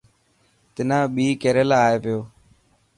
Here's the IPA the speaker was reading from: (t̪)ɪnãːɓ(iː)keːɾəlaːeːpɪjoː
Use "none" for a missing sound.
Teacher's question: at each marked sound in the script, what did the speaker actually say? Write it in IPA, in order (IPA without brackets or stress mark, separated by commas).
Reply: t̪, iː